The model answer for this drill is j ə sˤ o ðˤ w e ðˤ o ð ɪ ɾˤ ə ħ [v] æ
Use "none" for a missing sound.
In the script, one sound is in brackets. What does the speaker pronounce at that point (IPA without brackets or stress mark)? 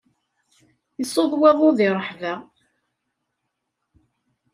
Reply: v